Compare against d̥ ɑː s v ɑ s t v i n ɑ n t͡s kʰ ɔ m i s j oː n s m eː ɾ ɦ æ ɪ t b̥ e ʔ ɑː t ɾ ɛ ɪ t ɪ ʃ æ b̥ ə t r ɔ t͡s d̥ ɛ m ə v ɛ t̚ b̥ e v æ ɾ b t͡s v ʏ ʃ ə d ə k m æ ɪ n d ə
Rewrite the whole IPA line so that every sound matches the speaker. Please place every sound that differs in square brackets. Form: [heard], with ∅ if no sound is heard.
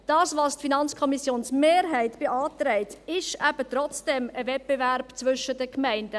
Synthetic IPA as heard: d̥ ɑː s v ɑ s t [f] i n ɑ n t͡s kʰ ɔ m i s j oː n s m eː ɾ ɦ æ ɪ t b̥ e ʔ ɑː t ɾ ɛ ɪ t ɪ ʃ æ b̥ ə t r ɔ t͡s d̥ ɛ m ə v ɛ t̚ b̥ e v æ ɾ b t͡s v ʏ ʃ ə d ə k m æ ɪ n d ə